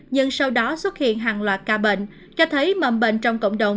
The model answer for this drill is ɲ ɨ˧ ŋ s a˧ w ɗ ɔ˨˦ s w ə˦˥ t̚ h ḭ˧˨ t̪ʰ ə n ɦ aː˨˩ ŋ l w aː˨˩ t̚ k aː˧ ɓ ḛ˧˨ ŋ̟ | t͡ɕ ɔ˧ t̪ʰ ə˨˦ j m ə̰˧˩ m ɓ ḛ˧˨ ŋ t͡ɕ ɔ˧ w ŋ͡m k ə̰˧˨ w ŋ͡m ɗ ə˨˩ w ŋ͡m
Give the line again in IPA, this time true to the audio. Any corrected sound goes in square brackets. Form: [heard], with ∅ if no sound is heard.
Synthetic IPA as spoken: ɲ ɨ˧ ŋ s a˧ w ɗ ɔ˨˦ s w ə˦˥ t̚ h ḭ˧˨ [∅] ə n ɦ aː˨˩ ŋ l w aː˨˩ t̚ k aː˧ ɓ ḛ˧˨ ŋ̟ | t͡ɕ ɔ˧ t̪ʰ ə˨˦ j m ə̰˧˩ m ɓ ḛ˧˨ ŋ t͡ɕ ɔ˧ w ŋ͡m k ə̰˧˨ w ŋ͡m ɗ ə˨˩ w ŋ͡m